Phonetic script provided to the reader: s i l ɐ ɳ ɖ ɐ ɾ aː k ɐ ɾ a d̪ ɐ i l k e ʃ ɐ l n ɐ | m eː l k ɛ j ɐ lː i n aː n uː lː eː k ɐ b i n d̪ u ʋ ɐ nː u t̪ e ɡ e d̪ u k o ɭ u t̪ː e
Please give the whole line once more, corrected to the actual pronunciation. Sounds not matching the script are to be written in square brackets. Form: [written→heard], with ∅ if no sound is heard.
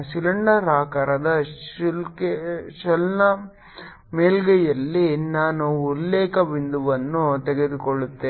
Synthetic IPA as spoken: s i l ɐ ɳ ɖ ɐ ɾ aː k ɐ ɾ [a→ɐ] d̪ ɐ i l k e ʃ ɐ l n ɐ | m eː l [k→ɡ] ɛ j ɐ lː i n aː n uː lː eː k ɐ b i n d̪ u ʋ ɐ nː u t̪ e ɡ e d̪ u k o ɭ u t̪ː e